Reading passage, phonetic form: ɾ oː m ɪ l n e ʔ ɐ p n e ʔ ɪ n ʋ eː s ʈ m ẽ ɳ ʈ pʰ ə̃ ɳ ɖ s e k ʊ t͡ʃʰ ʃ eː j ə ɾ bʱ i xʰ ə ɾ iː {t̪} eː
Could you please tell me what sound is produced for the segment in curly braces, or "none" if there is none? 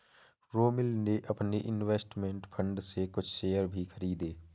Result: d̪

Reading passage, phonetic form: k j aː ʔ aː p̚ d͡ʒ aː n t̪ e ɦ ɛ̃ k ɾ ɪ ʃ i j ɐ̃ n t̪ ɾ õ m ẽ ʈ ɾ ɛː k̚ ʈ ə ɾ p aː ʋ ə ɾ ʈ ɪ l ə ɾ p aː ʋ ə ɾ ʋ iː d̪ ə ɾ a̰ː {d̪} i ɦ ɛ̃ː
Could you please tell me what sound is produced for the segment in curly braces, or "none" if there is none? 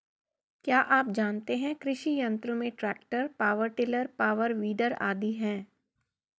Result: d̪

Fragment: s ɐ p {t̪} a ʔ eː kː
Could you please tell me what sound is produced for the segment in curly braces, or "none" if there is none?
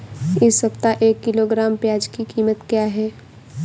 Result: t̪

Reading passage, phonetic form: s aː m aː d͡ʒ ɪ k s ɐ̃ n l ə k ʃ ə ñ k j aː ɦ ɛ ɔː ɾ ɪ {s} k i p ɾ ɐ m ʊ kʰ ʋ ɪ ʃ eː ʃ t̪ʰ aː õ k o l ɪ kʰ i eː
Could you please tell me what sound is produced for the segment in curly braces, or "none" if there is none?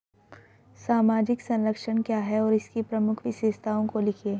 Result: s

